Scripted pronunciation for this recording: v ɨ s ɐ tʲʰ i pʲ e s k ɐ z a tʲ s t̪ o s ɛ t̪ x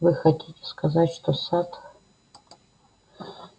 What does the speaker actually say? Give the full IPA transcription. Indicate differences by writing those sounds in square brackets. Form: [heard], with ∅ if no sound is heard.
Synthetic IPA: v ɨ [x] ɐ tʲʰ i [tʲ] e s k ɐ z a tʲ [ʂ] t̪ o s [a] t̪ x